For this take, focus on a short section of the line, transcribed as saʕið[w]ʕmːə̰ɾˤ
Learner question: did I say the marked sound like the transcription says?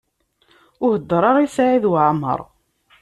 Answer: yes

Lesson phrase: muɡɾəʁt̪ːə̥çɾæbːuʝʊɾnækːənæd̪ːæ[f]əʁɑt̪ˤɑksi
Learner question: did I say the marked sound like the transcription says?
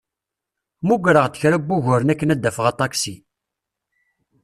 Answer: yes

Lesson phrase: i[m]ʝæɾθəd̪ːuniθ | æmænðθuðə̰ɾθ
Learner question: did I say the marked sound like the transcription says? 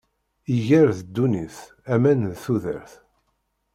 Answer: no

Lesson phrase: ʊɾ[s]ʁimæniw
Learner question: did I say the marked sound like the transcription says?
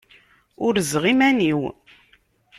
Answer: no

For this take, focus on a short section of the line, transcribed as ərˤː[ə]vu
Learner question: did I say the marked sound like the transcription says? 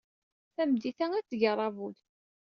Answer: no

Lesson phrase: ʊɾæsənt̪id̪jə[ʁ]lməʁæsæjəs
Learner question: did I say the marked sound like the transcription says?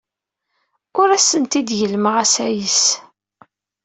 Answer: no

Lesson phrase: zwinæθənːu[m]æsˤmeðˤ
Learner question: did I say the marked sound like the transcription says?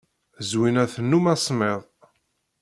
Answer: yes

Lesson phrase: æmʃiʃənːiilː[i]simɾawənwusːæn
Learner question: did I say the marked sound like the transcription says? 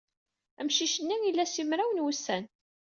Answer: no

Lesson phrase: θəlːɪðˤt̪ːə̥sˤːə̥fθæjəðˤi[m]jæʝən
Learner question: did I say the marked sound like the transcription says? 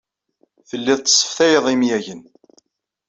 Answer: yes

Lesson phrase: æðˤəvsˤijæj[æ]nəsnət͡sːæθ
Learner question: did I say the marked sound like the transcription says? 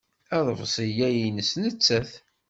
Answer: no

